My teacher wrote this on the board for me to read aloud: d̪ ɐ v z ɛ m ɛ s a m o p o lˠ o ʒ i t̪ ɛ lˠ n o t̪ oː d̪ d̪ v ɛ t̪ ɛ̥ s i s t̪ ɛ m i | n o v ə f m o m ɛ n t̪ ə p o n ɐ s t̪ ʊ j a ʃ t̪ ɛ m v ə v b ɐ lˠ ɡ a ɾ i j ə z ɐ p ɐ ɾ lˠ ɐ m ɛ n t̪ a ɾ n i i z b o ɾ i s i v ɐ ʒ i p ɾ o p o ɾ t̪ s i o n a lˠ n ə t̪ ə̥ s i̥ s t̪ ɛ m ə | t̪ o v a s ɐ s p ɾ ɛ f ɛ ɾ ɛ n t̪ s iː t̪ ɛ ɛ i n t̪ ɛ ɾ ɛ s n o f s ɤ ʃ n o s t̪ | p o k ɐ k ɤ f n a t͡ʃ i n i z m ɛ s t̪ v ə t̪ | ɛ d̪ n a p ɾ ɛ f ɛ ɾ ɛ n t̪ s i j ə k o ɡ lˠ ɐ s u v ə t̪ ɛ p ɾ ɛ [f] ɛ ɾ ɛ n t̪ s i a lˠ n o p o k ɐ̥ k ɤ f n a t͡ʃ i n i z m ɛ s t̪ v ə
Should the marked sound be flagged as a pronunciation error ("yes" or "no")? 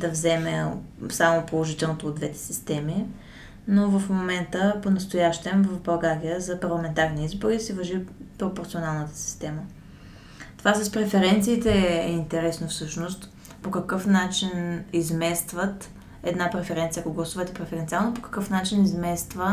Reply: no